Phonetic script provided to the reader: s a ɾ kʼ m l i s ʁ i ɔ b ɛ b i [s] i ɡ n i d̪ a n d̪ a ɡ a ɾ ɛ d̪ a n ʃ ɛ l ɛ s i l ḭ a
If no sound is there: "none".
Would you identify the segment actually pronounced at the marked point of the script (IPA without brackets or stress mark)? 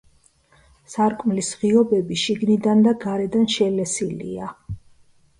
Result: ʃ